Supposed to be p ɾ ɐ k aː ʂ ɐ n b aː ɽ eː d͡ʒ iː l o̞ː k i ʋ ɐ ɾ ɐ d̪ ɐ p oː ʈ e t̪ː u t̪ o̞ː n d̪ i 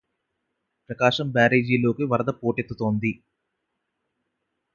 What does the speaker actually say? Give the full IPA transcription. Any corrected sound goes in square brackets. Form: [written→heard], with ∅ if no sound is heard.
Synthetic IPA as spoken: p ɾ ɐ k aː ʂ ɐ [n→m] b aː [ɽ→ɾ] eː d͡ʒ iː l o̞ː k i ʋ ɐ ɾ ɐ d̪ ɐ p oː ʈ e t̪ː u t̪ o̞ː n d̪ i